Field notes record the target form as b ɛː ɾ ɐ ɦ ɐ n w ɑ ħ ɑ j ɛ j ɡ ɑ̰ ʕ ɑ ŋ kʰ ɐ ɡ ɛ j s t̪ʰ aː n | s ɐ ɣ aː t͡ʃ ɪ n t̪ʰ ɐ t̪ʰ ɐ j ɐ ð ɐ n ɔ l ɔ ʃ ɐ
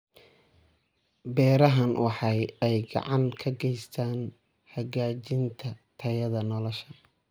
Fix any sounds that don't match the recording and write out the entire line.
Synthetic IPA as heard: b ɛː ɾ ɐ ɦ ɐ n w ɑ ħ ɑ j ɛ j ɡ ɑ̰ ʕ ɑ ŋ kʰ ɐ ɡ ɛ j s t̪ʰ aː n | h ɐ ɣ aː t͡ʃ ɪ n t̪ʰ ɐ t̪ʰ ɐ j ɐ ð ɐ n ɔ l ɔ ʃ ɐ